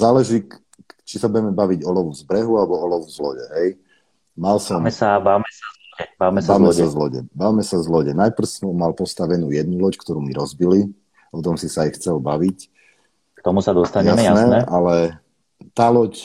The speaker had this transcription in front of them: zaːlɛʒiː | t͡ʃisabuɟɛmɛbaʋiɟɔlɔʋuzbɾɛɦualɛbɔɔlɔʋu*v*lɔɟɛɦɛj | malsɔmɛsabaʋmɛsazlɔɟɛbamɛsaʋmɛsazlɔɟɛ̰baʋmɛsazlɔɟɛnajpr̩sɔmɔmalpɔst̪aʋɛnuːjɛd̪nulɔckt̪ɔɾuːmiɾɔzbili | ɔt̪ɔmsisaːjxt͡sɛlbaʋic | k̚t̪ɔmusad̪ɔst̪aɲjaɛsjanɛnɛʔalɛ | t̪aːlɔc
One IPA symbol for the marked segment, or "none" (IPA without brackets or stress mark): z